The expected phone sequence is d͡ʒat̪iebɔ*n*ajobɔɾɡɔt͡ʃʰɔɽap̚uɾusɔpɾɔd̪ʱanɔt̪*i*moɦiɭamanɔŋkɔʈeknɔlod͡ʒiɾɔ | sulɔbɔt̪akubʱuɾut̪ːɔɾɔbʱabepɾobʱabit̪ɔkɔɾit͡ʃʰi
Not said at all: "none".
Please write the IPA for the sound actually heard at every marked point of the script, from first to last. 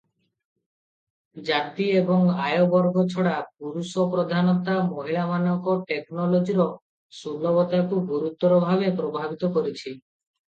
ŋ, a

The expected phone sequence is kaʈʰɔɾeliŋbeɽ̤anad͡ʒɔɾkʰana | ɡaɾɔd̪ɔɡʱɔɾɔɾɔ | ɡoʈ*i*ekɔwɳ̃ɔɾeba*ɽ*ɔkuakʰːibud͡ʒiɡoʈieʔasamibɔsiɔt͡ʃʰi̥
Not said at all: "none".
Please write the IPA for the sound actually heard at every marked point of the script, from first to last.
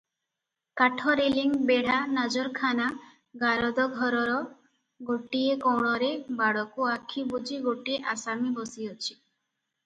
i, ɽ

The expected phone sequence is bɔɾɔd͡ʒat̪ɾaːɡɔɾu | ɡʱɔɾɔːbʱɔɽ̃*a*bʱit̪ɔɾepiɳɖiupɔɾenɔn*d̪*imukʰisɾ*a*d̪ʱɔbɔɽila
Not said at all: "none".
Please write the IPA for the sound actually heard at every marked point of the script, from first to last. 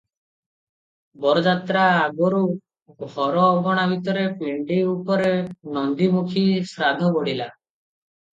a, d̪, a

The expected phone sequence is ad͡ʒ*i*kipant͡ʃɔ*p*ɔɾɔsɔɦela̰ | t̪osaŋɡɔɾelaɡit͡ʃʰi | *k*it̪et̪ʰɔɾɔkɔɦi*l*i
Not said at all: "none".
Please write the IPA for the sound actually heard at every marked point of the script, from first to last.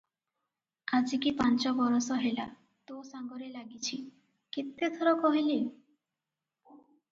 i, b, k, l

